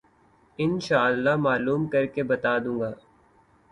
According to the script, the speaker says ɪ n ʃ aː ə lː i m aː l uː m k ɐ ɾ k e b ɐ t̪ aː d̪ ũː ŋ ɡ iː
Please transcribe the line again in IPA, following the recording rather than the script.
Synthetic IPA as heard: ɪ n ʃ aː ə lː a m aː l uː m k ɐ ɾ k e b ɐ t̪ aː d̪ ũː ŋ ɡ aː